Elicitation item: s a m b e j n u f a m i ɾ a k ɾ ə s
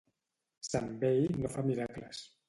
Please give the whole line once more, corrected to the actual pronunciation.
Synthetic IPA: s a m b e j n o f a m i ɾ a k l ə s